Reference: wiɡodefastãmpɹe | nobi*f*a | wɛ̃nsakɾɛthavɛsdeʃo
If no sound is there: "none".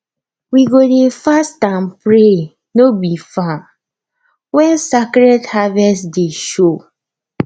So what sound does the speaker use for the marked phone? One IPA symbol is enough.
f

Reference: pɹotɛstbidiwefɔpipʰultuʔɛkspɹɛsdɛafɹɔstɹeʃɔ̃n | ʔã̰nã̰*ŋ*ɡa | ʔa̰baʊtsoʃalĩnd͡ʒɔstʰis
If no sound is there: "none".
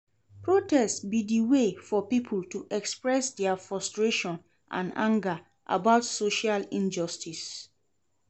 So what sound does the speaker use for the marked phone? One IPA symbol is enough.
ŋ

